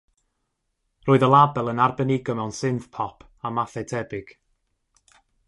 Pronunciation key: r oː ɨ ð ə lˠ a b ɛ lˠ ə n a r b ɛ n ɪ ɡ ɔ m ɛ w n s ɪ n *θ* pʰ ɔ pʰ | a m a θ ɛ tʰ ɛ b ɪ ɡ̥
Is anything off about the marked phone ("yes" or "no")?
no